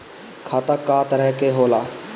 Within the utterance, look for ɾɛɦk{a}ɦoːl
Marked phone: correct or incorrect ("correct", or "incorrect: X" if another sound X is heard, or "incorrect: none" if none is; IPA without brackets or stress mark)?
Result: incorrect: e